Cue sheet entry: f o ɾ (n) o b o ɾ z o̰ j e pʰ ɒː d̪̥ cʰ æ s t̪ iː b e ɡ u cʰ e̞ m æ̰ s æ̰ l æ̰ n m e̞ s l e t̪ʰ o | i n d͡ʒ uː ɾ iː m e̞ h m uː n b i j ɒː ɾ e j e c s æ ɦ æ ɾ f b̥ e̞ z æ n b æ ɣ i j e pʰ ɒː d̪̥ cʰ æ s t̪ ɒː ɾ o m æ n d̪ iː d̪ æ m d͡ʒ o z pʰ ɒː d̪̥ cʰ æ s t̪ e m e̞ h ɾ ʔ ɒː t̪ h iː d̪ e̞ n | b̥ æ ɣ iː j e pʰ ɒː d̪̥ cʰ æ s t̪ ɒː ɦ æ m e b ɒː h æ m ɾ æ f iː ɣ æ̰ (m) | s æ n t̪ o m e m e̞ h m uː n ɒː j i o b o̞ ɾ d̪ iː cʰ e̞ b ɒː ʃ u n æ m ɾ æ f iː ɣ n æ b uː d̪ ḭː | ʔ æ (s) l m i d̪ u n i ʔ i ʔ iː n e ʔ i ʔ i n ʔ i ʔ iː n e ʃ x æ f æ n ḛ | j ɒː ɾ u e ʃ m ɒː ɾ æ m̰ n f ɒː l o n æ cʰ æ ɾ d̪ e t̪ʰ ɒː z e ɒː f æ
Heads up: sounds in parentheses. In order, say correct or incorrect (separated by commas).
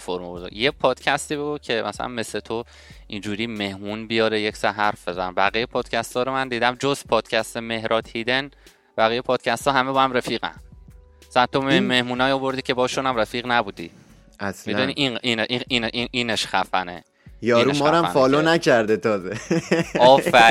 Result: incorrect, incorrect, correct